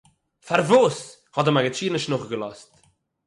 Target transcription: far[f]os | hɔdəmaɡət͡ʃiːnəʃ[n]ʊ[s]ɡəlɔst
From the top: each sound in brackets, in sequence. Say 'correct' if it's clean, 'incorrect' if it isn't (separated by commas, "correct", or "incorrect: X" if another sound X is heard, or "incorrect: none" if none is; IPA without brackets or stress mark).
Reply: incorrect: v, correct, incorrect: χ